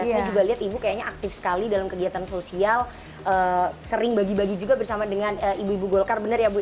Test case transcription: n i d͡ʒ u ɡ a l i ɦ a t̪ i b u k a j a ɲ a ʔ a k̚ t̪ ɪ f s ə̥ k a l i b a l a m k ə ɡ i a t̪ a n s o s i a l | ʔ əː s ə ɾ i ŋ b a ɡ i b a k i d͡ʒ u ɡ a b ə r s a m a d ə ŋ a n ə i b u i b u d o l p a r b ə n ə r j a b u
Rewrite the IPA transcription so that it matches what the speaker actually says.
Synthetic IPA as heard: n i d͡ʒ u ɡ a l i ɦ a t̪ i b u k a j a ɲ a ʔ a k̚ t̪ ɪ f s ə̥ k a l i d a l a m k ə ɡ i a t̪ a n s o s i a l | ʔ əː s ə ɾ ɪ ŋ b a ɡ i b a ɡ i d͡ʒ u ɡ a b ə r s a m a d ə ŋ a n ə i b u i b u ɡ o l k a r b ə n ə r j a b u